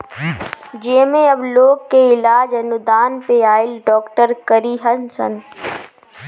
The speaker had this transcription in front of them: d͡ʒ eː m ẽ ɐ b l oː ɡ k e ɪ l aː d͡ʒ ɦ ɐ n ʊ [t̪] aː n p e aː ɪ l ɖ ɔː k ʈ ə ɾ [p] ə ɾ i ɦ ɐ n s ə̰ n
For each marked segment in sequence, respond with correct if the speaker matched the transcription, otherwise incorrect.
incorrect, incorrect

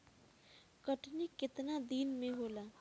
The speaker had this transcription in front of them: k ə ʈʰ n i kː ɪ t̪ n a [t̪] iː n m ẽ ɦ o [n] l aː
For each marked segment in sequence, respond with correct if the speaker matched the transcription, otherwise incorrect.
incorrect, incorrect

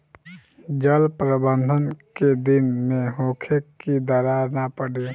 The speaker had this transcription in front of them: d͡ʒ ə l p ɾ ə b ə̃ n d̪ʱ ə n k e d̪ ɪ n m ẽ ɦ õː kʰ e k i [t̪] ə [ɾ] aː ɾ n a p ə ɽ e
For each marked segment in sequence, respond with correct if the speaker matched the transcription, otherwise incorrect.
incorrect, correct

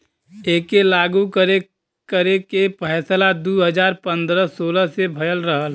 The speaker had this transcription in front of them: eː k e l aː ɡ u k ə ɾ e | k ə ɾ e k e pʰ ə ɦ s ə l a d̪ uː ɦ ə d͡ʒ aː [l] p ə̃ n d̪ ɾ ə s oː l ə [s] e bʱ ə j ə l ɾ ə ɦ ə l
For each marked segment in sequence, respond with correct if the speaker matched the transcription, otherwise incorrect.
incorrect, correct

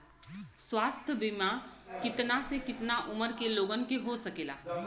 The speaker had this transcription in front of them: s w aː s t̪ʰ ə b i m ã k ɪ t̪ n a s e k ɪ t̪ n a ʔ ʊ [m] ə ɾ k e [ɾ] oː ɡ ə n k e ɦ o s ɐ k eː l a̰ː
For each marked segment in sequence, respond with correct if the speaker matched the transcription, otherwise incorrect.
correct, incorrect

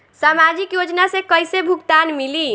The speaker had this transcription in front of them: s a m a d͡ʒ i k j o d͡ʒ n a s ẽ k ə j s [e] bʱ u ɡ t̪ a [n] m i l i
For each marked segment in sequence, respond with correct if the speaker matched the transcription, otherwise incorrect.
correct, correct

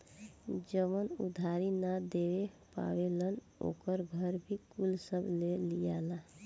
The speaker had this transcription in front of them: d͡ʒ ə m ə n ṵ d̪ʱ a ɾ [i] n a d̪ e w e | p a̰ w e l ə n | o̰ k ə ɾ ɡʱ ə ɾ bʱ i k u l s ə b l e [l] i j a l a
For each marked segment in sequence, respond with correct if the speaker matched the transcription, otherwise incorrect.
correct, correct

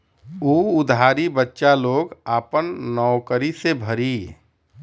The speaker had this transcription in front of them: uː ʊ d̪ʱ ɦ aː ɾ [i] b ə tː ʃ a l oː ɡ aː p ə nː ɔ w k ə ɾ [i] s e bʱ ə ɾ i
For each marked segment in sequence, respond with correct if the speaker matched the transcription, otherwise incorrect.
correct, correct

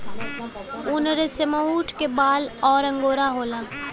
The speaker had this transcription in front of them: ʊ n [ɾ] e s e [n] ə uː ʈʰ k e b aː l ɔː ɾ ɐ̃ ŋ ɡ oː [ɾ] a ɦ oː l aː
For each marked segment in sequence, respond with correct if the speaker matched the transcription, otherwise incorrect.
correct, incorrect, correct

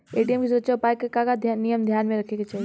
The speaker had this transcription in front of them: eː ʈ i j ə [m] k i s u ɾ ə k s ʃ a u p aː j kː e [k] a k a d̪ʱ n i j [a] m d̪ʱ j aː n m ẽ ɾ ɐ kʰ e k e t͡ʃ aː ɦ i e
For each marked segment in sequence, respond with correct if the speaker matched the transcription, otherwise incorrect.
correct, correct, incorrect

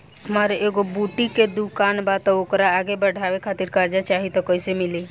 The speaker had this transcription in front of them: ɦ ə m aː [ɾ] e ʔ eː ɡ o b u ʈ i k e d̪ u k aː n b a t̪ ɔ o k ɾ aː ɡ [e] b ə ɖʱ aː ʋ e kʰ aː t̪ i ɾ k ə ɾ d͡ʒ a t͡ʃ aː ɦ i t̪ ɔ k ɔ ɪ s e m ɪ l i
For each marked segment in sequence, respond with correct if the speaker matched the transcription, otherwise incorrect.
correct, correct

